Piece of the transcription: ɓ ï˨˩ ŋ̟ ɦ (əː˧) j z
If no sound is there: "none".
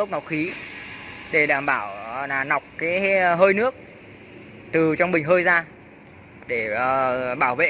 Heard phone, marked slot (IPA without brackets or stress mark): əː˧